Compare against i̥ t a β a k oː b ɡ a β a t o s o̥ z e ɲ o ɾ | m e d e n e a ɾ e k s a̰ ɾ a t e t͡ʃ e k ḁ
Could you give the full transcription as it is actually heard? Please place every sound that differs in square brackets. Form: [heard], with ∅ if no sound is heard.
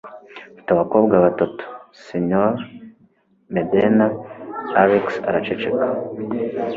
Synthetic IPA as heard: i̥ t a β a k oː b ɡ a β a t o [t] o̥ [s] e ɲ o ɾ | m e d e n [a] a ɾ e k s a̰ ɾ a [t͡ʃ] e t͡ʃ e k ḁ